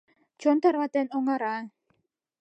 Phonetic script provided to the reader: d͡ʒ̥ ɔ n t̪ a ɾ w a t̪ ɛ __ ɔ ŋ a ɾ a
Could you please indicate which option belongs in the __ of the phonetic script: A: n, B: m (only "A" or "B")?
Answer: A